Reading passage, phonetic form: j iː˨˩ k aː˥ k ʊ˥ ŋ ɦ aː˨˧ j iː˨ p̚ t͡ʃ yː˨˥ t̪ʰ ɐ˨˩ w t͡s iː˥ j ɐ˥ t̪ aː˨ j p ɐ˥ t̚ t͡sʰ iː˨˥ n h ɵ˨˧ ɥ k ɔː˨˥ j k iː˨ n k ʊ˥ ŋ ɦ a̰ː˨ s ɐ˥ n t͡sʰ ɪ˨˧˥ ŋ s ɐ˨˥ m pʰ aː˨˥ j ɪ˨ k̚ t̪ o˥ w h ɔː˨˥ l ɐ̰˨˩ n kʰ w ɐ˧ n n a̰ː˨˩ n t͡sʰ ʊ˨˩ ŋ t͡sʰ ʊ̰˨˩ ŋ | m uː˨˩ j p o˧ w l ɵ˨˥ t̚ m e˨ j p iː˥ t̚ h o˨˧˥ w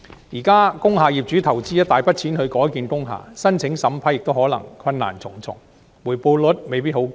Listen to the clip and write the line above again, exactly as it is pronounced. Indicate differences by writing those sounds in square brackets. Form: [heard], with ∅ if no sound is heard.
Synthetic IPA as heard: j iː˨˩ k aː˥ k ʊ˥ ŋ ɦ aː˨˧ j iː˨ p̚ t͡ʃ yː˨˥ t̪ʰ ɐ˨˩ w t͡s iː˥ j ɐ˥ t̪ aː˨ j p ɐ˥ t̚ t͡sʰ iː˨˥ n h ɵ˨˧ ɥ k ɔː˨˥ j k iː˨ n k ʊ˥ ŋ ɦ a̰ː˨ s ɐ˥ n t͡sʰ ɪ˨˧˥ ŋ s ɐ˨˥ m pʰ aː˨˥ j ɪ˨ k̚ t̪ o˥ w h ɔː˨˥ l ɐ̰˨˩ [ŋ] kʰ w ɐ˧ n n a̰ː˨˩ n t͡sʰ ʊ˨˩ ŋ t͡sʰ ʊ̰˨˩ ŋ | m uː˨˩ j p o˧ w l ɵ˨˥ t̚ m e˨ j p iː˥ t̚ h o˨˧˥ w

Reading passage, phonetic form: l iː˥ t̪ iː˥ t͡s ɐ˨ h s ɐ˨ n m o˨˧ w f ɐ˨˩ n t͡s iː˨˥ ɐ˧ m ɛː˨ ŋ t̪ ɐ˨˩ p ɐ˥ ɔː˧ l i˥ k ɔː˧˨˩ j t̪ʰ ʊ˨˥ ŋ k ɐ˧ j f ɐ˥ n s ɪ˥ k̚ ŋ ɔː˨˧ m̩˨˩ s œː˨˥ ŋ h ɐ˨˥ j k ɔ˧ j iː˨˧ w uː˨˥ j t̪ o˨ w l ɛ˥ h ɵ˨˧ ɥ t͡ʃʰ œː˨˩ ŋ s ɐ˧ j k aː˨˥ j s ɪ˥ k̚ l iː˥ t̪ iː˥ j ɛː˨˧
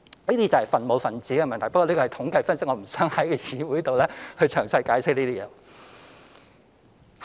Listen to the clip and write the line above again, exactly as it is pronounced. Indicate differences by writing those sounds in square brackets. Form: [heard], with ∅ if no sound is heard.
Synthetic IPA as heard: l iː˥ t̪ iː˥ t͡s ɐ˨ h [f] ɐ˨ n m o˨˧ w f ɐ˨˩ n t͡s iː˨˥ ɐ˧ m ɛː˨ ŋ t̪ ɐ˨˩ p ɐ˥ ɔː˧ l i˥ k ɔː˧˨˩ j t̪ʰ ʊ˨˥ ŋ k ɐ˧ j f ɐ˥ n s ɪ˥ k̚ ŋ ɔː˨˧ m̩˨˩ s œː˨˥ ŋ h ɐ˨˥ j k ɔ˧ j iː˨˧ w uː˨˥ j t̪ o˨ w l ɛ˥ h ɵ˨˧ ɥ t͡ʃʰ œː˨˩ ŋ s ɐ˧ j k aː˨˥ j s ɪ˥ k̚ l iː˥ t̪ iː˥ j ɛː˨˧

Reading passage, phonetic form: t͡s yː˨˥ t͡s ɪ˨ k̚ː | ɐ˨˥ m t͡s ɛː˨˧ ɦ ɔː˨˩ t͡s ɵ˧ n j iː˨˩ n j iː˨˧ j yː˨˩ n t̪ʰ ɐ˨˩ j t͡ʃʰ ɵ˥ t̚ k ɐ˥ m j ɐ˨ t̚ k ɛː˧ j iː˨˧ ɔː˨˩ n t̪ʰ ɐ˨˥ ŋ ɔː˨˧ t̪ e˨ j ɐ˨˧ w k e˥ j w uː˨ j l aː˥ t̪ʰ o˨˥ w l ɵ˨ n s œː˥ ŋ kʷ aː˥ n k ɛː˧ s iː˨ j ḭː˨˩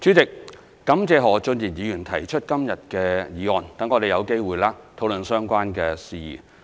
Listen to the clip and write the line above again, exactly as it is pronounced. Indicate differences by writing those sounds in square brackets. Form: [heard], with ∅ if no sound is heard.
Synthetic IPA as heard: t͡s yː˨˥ t͡s ɪ˨ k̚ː | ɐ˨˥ m t͡s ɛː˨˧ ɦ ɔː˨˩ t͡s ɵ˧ n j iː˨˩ n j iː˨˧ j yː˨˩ n t̪ʰ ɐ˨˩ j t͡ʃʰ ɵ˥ t̚ k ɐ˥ m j ɐ˨ t̚ k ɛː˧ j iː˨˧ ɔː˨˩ n [t̪] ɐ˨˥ ŋ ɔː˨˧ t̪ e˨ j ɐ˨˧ w k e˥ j w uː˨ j l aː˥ t̪ʰ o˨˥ w l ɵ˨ n s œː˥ ŋ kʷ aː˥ n k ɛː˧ s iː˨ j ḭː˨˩

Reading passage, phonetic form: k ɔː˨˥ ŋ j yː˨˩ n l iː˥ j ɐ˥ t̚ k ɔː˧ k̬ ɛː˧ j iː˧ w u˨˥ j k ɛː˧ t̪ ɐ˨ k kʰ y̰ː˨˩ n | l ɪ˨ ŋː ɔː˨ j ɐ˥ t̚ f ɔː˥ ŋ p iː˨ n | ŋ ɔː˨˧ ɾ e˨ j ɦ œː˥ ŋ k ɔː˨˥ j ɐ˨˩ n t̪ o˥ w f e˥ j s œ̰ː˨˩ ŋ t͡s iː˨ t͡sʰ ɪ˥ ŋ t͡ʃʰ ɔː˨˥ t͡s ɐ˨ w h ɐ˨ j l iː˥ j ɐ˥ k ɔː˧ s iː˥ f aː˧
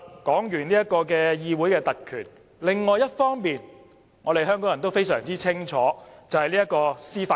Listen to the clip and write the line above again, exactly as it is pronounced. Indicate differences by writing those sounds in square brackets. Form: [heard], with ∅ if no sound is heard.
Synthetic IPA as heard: k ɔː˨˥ ŋ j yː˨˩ n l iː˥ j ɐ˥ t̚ k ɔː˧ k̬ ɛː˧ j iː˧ w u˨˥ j k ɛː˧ t̪ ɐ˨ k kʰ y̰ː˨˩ n | l ɪ˨ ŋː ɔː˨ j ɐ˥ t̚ f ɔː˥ ŋ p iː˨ n | ŋ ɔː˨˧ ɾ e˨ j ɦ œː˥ ŋ k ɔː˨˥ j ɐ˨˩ n t̪ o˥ w f e˥ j s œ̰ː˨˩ ŋ t͡s [iː˥] t͡sʰ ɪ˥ ŋ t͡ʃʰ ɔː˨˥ t͡s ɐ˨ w h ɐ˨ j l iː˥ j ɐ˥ k ɔː˧ s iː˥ f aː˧

